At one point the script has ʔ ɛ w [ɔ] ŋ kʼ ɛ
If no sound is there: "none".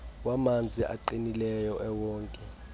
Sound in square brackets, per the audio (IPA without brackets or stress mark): ɔː